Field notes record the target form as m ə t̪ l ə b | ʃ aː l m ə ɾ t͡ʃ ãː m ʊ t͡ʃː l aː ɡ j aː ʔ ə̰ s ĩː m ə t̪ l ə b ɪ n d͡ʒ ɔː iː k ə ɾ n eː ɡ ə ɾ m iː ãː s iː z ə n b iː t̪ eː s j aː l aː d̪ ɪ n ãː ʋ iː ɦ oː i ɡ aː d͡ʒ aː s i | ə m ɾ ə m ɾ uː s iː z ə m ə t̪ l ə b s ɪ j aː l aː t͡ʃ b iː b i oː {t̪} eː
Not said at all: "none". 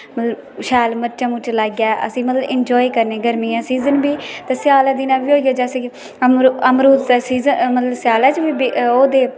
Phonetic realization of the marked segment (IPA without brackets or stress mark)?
d̪